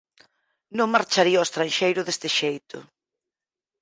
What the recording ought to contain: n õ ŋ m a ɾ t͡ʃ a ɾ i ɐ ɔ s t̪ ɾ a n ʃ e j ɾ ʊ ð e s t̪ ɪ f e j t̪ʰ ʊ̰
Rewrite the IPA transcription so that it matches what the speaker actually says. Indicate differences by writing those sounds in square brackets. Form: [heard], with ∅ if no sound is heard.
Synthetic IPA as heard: n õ ŋ m a ɾ t͡ʃ a ɾ i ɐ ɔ s t̪ ɾ a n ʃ e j ɾ ʊ ð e s t̪ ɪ [ʃ] e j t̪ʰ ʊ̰